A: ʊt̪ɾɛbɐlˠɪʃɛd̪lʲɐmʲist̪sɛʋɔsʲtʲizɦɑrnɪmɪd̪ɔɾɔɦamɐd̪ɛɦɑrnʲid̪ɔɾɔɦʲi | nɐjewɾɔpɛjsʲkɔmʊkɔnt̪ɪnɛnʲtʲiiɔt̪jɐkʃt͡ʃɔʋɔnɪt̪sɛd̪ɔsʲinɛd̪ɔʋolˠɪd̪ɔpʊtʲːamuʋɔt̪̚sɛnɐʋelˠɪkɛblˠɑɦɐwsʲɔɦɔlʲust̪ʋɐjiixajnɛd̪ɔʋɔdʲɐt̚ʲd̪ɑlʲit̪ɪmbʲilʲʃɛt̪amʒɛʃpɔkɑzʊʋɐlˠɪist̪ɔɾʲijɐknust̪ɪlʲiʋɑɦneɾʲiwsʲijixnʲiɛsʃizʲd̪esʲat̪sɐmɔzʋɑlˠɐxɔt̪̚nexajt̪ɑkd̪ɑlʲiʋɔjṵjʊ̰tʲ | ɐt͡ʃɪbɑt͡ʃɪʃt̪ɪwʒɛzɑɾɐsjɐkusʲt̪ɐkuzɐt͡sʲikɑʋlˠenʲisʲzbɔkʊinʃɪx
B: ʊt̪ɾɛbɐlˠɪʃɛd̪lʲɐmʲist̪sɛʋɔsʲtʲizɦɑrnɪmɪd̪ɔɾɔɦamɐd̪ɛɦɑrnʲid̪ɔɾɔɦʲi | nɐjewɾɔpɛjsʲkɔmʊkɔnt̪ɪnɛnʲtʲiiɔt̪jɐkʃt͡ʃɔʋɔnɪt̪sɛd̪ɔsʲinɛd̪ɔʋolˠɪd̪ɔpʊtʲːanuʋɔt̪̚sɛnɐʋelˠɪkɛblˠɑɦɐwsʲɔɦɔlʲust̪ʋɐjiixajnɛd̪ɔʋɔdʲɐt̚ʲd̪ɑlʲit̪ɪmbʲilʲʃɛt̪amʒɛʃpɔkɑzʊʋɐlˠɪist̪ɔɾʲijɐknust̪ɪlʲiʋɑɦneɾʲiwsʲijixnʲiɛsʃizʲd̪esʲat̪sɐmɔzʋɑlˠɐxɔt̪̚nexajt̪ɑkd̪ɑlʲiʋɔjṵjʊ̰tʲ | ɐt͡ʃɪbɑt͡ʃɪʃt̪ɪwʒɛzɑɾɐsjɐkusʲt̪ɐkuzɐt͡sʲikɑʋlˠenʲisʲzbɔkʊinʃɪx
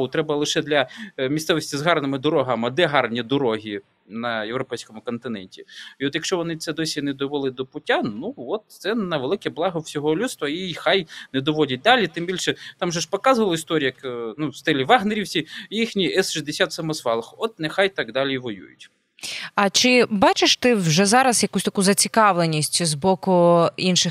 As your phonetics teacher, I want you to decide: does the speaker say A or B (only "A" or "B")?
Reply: B